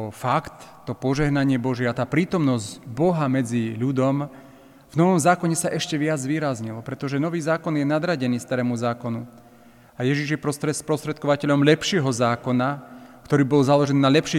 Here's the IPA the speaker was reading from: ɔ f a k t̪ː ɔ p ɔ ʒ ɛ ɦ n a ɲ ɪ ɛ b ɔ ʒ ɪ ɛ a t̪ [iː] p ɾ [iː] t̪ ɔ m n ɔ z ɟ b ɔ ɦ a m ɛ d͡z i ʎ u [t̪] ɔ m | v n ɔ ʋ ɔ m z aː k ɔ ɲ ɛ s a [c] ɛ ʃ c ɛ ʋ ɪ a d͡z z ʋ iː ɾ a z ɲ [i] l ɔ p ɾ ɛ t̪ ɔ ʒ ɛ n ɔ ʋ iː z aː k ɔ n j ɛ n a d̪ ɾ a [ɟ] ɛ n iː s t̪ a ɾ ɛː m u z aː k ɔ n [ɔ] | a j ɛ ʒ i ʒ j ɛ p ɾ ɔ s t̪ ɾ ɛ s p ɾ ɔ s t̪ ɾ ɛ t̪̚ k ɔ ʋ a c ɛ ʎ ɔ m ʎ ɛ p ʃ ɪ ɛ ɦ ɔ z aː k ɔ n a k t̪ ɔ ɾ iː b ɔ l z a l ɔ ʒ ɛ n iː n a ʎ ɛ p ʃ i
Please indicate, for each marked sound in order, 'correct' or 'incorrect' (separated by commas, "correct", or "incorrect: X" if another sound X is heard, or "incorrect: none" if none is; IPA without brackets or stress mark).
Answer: incorrect: aː, correct, incorrect: d̪, incorrect: ʔ, correct, correct, incorrect: u